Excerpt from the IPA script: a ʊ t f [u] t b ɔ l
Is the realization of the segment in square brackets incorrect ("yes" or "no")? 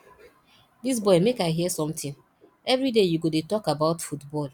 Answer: no